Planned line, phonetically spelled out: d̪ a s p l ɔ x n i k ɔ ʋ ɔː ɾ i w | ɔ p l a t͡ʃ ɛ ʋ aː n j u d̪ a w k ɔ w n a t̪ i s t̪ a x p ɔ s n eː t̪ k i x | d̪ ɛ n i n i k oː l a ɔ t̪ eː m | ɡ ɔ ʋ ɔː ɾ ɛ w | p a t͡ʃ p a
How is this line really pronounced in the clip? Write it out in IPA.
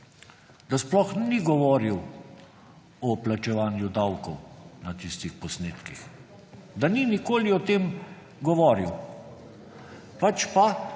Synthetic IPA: d̪ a s p l ɔ x n i ɡ ɔ ʋ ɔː ɾ i w | ɔ p l a t͡ʃ ɛ ʋ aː n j u d̪ a w k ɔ w n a t̪ i s t̪ i x p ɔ s n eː t̪ k i x | d̪ a n i n i k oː l i ɔ t̪ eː m | ɡ ɔ ʋ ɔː ɾ i w | p a t͡ʃ p a